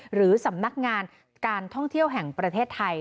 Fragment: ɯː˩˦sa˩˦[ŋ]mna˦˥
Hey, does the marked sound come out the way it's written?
no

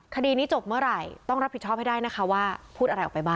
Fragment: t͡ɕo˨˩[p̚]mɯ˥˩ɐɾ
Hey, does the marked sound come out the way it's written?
yes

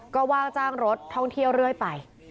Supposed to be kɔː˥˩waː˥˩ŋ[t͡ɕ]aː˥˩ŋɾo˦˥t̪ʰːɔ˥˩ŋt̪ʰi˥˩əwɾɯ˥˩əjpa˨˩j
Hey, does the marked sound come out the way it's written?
yes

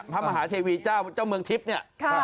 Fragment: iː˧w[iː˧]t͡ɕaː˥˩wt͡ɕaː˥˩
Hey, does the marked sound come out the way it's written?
yes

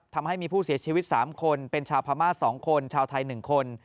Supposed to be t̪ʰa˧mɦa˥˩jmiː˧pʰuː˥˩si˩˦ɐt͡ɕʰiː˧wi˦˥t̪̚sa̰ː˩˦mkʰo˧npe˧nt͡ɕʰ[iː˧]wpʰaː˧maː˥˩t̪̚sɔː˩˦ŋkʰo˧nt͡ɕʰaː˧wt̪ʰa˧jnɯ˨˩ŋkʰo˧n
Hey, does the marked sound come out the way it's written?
no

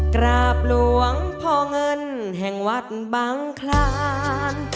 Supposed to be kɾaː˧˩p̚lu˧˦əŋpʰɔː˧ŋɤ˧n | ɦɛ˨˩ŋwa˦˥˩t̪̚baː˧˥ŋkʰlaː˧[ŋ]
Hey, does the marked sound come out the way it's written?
no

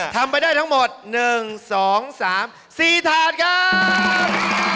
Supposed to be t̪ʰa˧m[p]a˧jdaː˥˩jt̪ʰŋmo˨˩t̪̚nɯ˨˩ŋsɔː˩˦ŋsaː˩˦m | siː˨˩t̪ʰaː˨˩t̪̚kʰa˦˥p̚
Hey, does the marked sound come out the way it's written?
yes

